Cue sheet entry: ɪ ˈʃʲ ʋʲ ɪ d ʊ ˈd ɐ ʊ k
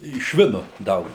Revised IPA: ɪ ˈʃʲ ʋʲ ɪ n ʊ ˈd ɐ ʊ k